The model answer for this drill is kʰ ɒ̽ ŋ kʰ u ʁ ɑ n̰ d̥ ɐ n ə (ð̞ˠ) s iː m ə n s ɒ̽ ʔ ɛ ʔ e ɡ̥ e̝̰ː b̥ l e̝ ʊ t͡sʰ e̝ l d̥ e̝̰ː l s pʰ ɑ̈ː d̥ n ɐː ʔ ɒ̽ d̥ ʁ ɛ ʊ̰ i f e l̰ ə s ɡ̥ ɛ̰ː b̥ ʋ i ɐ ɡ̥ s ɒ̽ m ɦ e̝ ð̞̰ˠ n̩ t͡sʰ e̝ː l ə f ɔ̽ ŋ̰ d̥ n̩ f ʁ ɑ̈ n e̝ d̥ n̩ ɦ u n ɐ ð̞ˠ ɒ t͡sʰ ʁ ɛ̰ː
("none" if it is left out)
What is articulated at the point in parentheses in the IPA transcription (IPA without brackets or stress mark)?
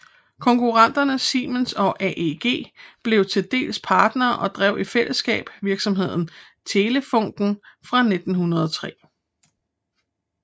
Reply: none